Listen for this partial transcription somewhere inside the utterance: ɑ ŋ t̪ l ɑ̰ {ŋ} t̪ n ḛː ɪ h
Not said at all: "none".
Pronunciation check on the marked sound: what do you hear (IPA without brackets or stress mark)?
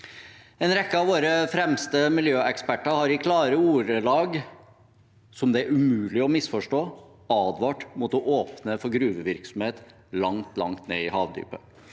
ŋ